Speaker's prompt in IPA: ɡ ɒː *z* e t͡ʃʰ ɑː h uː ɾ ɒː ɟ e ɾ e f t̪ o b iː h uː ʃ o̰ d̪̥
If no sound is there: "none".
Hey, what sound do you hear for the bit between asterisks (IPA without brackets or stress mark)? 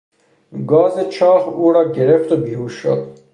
z